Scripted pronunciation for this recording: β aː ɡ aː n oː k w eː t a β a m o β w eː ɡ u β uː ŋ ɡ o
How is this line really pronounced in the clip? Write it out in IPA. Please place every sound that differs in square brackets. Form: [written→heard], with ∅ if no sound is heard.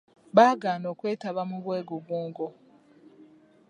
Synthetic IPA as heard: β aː ɡ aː n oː k w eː t a β a m [o→u] β w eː ɡ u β uː ŋ ɡ o